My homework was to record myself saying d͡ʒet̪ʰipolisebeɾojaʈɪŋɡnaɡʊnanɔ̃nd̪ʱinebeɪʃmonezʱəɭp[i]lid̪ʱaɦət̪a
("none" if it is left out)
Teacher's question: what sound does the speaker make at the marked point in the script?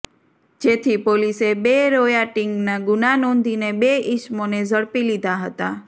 i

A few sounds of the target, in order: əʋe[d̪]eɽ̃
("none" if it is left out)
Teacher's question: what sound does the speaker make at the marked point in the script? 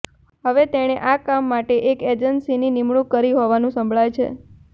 t̪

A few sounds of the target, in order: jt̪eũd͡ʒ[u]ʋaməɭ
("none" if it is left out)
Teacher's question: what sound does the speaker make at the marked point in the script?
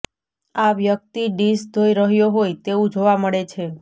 o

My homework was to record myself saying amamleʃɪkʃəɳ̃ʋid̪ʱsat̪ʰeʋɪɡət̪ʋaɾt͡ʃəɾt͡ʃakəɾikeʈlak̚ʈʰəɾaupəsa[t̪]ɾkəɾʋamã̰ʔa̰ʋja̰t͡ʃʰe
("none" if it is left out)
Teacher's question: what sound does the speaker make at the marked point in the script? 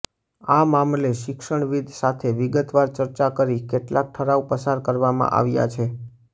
none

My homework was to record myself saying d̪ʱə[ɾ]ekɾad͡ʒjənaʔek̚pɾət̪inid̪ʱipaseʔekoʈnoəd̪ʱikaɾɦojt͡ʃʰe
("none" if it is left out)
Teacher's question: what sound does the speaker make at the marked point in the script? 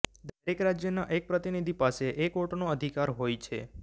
ɾ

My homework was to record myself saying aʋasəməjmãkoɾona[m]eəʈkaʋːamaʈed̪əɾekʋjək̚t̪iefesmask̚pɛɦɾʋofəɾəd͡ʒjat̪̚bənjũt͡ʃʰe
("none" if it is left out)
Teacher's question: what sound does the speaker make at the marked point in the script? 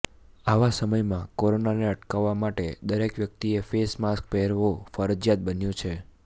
n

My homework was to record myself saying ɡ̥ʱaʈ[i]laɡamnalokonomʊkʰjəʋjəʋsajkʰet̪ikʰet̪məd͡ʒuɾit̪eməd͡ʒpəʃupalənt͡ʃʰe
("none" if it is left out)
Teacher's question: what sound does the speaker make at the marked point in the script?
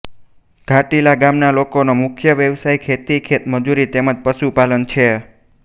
i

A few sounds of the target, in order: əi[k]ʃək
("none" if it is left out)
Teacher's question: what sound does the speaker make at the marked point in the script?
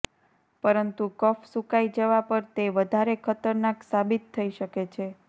none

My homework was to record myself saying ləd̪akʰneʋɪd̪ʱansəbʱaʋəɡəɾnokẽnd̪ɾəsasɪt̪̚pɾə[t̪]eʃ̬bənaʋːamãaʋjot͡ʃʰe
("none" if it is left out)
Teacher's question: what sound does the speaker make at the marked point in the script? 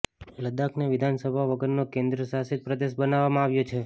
d̪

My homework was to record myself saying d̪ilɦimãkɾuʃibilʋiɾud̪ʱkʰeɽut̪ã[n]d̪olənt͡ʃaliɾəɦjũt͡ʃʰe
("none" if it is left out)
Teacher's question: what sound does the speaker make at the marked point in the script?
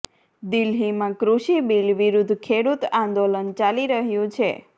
n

